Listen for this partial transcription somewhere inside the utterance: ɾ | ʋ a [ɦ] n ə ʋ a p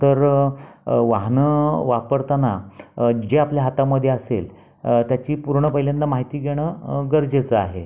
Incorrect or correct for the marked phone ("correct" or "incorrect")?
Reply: correct